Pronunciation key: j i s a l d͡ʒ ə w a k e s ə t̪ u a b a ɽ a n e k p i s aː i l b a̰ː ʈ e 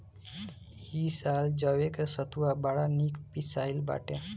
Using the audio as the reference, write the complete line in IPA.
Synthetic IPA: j i s a l d͡ʒ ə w e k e s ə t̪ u a b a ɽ a n i k p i s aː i l b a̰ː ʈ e